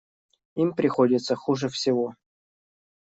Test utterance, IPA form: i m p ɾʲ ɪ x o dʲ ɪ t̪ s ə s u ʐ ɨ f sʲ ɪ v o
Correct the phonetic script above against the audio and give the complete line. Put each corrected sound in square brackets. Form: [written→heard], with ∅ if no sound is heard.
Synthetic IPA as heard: i m p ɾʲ ɪ x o dʲ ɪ t̪ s ə [s→x] u ʐ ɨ f sʲ ɪ v o

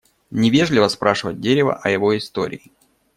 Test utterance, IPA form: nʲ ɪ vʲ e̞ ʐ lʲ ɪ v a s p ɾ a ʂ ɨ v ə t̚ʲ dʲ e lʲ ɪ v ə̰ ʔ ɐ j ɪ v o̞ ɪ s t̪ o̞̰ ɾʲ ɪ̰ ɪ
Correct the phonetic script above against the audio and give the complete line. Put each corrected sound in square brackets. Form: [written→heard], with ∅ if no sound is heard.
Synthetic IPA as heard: nʲ ɪ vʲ e̞ ʐ lʲ ɪ v [a→ə] s p ɾ a ʂ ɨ v ə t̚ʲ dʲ e [lʲ→ɾʲ] ɪ v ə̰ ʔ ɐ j ɪ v o̞ ɪ s t̪ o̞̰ ɾʲ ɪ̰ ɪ

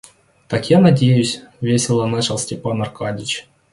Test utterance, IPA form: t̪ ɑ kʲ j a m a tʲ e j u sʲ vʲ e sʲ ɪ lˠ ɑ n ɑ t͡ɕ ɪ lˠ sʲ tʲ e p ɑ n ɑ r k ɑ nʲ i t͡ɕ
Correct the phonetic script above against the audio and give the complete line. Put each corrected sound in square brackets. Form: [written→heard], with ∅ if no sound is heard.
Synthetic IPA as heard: t̪ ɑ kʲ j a [m→n] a [tʲ→dʲ] e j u sʲ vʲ e sʲ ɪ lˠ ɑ n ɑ t͡ɕ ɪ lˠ sʲ tʲ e p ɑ n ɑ r k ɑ [nʲ→dʲ] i t͡ɕ

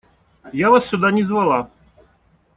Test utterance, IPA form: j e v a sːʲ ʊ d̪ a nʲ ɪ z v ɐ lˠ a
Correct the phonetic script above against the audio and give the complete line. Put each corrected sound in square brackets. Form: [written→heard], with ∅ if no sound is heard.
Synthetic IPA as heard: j [e→a] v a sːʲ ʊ d̪ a nʲ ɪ z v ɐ lˠ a

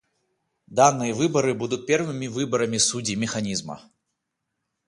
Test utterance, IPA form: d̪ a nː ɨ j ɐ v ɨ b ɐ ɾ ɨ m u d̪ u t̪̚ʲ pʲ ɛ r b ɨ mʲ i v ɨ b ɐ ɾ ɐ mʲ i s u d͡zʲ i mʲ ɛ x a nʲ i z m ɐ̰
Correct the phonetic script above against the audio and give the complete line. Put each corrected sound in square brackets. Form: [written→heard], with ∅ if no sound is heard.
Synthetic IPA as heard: d̪ a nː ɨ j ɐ v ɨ b ɐ ɾ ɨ [m→b] u d̪ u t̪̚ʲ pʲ ɛ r [b→v] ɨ mʲ i v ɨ b ɐ ɾ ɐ mʲ i s u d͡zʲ i mʲ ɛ x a nʲ i z m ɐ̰

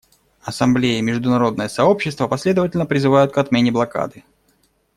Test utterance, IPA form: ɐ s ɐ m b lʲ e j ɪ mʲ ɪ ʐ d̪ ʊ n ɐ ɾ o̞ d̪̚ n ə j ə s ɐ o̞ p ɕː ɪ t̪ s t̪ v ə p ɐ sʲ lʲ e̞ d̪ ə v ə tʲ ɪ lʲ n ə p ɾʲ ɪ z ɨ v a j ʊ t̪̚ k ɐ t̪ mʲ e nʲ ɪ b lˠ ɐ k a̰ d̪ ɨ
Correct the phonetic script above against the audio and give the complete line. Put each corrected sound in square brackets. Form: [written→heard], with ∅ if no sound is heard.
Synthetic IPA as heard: ɐ s ɐ m b lʲ e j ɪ mʲ ɪ ʐ d̪ ʊ n ɐ ɾ o̞ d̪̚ n ə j ə s ɐ o̞ p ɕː ɪ [t̪→∅] s t̪ v ə p ɐ sʲ lʲ e̞ d̪ ə v ə tʲ ɪ lʲ n ə p ɾʲ ɪ z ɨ v a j ʊ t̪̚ k ɐ t̪ mʲ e nʲ ɪ b lˠ ɐ k a̰ d̪ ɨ

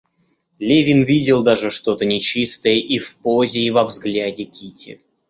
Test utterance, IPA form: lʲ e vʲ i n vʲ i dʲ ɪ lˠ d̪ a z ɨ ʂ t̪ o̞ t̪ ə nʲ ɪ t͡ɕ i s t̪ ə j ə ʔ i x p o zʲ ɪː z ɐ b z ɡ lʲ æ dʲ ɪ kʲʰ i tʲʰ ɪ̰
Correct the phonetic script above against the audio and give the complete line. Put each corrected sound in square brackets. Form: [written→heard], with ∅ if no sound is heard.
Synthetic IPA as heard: lʲ e vʲ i n vʲ i dʲ ɪ lˠ d̪ a [z→ʐ] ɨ ʂ t̪ o̞ t̪ ə nʲ ɪ t͡ɕ i s t̪ ə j ə ʔ i [x→f] p o zʲ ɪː [z→v] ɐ [b→v] z ɡ lʲ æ dʲ ɪ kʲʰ i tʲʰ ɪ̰

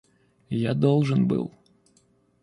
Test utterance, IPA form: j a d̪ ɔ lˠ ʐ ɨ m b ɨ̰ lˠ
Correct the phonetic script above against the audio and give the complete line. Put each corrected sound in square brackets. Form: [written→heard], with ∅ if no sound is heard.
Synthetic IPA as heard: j a d̪ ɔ lˠ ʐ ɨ [m→n] b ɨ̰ lˠ

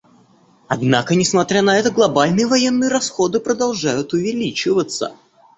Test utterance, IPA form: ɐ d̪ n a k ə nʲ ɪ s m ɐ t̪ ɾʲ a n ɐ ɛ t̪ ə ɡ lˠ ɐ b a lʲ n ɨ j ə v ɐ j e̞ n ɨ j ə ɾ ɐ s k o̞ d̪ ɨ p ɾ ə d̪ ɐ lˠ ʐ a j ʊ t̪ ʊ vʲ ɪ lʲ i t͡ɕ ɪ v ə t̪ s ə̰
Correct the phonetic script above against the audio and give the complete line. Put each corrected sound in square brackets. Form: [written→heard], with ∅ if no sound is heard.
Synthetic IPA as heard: ɐ d̪ n a k ə nʲ ɪ s m ɐ t̪ ɾʲ a n ɐ ɛ t̪ ə ɡ lˠ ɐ b a lʲ n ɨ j ə v ɐ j e̞ [n→nː] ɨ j ə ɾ ɐ s [k→x] o̞ d̪ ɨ p ɾ ə d̪ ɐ lˠ ʐ a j ʊ t̪ ʊ vʲ ɪ lʲ i t͡ɕ ɪ v ə t̪ s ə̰

